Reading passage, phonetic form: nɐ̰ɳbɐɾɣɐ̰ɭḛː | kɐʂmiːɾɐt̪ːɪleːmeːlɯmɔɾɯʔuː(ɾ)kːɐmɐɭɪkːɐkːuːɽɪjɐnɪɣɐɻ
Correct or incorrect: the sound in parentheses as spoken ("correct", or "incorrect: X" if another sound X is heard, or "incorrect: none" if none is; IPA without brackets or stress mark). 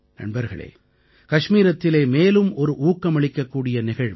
incorrect: none